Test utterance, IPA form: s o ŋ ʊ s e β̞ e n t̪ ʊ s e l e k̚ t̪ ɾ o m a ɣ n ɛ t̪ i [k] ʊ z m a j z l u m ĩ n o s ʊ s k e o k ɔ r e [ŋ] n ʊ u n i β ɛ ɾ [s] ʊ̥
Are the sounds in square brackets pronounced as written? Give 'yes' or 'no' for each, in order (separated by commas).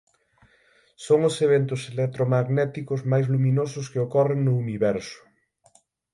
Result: yes, yes, yes